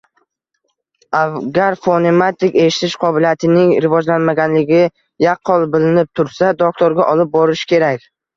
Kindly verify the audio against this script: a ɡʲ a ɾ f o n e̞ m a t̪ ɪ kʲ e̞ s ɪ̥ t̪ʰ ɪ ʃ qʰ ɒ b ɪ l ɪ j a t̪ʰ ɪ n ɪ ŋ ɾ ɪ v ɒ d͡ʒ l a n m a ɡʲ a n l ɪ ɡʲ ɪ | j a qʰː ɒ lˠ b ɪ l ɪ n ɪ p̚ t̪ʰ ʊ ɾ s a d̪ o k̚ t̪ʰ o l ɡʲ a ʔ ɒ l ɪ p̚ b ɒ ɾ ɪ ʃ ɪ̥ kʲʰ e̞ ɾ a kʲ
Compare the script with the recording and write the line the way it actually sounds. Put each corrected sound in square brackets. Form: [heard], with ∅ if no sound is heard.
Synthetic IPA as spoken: a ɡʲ a ɾ f o n e̞ m a t̪ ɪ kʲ e̞ [ʃ] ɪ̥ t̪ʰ ɪ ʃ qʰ ɒ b ɪ l [i] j a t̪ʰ ɪ n ɪ ŋ ɾ ɪ v ɒ d͡ʒ l a n m a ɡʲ a n l ɪ ɡʲ ɪ | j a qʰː ɒ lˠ b ɪ l ɪ n ɪ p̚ t̪ʰ ʊ ɾ s a d̪ o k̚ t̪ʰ o [ɾ] ɡʲ a ʔ ɒ l ɪ p̚ b ɒ ɾ ɪ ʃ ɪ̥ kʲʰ e̞ ɾ a kʲ